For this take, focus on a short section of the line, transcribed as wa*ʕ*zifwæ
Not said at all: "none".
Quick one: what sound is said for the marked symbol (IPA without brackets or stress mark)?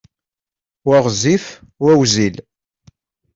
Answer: ʁ